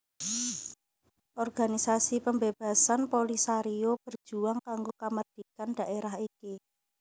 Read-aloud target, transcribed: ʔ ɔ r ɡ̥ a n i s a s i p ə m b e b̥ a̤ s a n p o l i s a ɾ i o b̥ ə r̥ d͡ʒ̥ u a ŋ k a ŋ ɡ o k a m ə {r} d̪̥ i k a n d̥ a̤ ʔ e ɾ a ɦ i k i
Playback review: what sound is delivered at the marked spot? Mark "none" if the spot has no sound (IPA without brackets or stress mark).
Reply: r